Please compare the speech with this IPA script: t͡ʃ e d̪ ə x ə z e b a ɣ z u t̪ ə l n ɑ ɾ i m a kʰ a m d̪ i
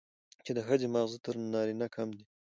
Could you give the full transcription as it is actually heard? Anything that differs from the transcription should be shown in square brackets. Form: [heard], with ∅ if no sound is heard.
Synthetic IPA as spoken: t͡ʃ e d̪ ə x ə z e [m] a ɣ z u t̪ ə [ɾ] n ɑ ɾ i [n] a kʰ a m d̪ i